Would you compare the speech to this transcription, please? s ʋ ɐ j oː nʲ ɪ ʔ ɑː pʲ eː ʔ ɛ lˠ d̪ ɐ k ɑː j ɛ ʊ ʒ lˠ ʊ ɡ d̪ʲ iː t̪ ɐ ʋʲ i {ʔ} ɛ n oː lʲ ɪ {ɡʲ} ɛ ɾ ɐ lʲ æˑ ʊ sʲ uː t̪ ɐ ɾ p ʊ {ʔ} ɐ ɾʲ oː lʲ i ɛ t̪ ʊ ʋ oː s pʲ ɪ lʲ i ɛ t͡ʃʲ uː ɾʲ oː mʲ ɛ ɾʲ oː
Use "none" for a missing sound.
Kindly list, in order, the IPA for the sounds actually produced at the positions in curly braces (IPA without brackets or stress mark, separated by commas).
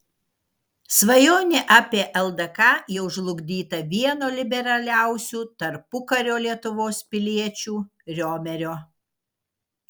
none, bʲ, k